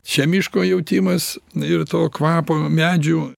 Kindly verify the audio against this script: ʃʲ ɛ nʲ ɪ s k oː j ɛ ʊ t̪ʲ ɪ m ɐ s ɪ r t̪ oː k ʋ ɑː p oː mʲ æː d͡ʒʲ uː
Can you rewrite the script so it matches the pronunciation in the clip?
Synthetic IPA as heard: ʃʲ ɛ mʲ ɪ ʃ k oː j ɛ ʊ t̪ʲ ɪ m ɐ s ɪ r t̪ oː k ʋ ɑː p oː mʲ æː d͡ʒʲ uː